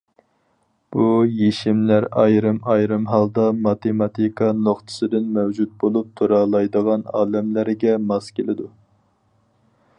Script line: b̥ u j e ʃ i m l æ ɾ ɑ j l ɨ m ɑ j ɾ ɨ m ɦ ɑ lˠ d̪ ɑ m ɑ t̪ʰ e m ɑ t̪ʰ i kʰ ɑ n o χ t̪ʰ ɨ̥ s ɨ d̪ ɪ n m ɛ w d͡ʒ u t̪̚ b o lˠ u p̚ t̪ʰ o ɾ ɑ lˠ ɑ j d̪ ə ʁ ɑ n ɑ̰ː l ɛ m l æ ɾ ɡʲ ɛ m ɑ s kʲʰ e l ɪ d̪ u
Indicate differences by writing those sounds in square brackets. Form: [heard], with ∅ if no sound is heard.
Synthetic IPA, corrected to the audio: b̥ u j e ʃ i m l æ ɾ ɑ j [ɾ] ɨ m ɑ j ɾ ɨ m ɦ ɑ lˠ d̪ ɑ m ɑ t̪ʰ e m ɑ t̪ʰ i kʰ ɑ n o χ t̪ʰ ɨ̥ s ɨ d̪ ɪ n m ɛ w d͡ʒ u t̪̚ b o lˠ u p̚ t̪ʰ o ɾ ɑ lˠ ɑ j d̪ ə ʁ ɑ n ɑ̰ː l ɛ m l æ ɾ ɡʲ ɛ m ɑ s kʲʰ e l ɪ d̪ u

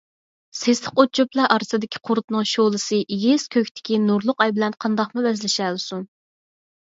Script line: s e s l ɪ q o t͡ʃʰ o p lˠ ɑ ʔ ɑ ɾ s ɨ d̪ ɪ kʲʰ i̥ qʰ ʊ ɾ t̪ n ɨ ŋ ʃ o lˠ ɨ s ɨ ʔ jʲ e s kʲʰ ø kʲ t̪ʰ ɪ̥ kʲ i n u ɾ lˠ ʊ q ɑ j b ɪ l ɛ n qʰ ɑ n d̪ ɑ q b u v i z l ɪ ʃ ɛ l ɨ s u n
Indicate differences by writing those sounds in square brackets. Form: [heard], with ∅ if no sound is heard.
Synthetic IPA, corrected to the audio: s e s l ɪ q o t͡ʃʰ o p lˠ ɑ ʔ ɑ ɾ s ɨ d̪ ɪ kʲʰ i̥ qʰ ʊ ɾ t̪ n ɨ ŋ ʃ o lˠ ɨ s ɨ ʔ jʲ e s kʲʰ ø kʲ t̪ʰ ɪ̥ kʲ i n u ɾ lˠ ʊ q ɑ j b ɪ l ɛ n qʰ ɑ n d̪ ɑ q [m] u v [ɛ] z l ɪ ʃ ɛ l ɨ s u n

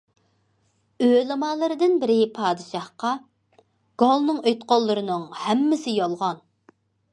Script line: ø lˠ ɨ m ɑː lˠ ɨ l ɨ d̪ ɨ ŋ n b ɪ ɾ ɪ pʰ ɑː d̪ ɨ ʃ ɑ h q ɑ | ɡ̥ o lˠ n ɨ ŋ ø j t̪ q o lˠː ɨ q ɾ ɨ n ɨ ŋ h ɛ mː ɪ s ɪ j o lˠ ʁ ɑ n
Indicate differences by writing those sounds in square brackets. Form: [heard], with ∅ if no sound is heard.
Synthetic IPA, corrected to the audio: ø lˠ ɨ m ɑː lˠ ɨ [ɾ] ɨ d̪ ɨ [∅] n b ɪ ɾ ɪ pʰ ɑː d̪ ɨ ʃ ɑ h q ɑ | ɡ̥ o lˠ n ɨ ŋ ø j t̪ q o lˠː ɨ [∅] ɾ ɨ n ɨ ŋ h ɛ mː ɪ s ɪ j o lˠ ʁ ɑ n

